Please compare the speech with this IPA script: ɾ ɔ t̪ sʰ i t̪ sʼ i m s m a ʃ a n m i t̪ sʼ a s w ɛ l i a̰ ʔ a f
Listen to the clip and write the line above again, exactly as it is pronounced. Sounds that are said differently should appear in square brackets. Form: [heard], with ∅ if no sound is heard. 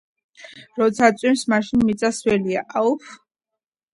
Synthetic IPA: ɾ ɔ t̪ sʰ [a] t̪ sʼ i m s m a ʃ [i] n m i t̪ sʼ a s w ɛ l i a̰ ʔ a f

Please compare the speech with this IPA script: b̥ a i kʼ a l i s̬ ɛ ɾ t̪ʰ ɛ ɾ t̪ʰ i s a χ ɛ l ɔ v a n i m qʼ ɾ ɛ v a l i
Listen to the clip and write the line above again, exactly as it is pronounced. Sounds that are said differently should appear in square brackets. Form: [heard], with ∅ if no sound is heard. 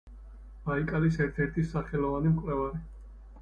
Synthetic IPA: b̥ a i kʼ a l i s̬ ɛ ɾ t̪ʰ ɛ ɾ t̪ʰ i s a χ ɛ l ɔ v a n i m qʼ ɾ ɛ v a [ɾ] i

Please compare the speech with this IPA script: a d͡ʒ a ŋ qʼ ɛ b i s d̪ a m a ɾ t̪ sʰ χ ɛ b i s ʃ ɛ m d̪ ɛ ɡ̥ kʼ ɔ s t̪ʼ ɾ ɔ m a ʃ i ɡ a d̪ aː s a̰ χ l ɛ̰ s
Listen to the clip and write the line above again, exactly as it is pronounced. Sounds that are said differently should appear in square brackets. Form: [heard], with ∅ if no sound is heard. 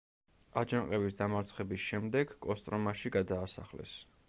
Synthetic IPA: a d͡ʒ a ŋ qʼ ɛ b i s d̪ a m a ɾ t̪ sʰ χ ɛ b i s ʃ ɛ m d̪ ɛ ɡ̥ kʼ ɔ s t̪ʼ ɾ ɔ m a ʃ i ɡ a d̪ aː s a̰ χ l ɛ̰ s

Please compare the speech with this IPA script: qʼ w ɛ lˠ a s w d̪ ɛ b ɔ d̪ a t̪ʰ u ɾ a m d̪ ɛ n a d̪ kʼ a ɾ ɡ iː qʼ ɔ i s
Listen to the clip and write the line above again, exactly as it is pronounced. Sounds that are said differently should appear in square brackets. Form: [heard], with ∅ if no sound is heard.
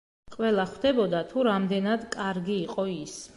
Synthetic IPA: qʼ w ɛ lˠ a [χ] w d̪ ɛ b ɔ d̪ a t̪ʰ u ɾ a m d̪ ɛ n a d̪ kʼ a ɾ ɡ iː qʼ ɔ i s

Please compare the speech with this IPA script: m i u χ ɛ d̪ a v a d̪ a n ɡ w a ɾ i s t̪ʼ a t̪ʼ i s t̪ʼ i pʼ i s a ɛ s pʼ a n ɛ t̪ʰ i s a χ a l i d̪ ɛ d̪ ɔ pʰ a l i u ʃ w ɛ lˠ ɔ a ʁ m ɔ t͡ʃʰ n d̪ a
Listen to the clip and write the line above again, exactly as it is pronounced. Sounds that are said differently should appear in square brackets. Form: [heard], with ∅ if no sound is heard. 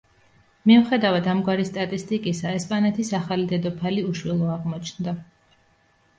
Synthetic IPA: m i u χ ɛ d̪ a v a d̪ a [m] ɡ w a ɾ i s t̪ʼ a t̪ʼ i s t̪ʼ i [kʼ] i s a ɛ s pʼ a n ɛ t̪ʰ i s a χ a l i d̪ ɛ d̪ ɔ pʰ a l i u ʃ w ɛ lˠ ɔ a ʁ m ɔ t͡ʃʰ n d̪ a

